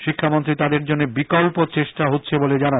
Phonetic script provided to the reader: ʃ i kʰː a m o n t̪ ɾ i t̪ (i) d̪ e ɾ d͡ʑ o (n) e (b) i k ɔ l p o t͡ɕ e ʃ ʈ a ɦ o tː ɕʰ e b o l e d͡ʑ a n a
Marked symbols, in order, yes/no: no, no, yes

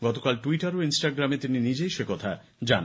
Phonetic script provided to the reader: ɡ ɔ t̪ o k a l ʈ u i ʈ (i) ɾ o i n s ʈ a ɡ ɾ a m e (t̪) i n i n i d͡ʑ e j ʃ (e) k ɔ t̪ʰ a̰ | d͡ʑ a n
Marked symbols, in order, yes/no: no, yes, yes

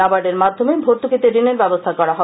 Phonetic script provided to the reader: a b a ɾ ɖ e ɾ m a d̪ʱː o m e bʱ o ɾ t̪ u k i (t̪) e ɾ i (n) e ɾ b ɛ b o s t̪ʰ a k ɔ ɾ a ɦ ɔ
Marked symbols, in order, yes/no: yes, yes

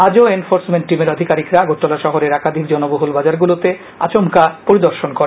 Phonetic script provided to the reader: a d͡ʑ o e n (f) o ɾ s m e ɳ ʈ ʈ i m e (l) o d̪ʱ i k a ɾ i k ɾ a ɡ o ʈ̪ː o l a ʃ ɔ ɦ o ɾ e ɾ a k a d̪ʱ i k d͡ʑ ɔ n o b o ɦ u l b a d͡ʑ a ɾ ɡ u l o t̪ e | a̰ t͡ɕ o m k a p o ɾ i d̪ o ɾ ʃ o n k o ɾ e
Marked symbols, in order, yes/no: yes, no

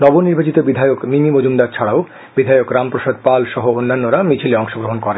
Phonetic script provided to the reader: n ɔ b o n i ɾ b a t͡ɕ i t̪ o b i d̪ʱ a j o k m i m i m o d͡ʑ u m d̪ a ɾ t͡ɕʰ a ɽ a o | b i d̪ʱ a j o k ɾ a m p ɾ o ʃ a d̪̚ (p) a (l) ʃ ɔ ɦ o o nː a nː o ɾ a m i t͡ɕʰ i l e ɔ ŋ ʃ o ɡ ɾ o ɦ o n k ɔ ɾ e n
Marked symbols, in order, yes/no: yes, yes

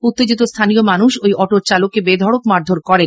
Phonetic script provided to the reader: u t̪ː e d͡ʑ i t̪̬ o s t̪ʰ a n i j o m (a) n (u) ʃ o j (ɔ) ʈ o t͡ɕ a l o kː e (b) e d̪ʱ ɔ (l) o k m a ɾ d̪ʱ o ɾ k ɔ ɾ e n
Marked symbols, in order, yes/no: yes, yes, yes, yes, no

